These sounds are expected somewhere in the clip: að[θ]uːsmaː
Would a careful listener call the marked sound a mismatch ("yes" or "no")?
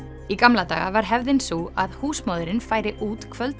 yes